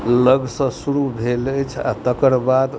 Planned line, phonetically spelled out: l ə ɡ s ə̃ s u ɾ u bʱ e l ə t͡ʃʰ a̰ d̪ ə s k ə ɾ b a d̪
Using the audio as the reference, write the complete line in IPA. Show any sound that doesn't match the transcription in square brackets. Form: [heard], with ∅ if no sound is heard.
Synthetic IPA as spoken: l ə ɡ s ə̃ s u ɾ u bʱ e l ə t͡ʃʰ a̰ [t̪] ə [∅] k ə ɾ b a d̪